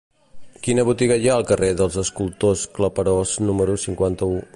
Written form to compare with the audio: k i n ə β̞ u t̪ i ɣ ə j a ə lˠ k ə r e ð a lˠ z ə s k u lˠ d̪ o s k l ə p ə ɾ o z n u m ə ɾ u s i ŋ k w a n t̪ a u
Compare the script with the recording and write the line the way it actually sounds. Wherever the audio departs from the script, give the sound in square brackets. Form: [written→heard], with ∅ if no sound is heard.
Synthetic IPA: k i n ə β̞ u t̪ i ɣ ə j a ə lˠ k ə r e ð [a→ə] lˠ z ə s k u lˠ [d̪→t̪] o s k l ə p ə ɾ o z n u m ə ɾ u s i ŋ k w a n t̪ [a→ə] u